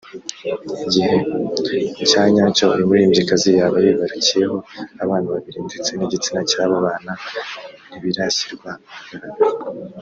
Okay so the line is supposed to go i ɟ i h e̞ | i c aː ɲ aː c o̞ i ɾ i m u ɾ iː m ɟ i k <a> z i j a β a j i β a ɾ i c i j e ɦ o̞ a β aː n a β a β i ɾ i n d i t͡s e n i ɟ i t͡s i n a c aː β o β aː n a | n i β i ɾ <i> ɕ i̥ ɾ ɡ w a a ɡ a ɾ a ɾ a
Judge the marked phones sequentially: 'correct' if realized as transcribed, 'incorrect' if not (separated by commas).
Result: correct, incorrect